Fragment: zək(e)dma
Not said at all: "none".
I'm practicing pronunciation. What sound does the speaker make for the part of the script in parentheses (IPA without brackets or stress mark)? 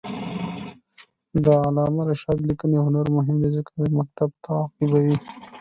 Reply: a